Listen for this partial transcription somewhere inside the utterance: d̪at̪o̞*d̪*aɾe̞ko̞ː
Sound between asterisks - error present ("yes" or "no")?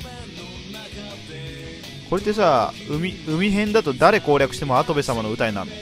no